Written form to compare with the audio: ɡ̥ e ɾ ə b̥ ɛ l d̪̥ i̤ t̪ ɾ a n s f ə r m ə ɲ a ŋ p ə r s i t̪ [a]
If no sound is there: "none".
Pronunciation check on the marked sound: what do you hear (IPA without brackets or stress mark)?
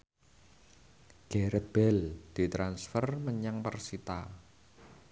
a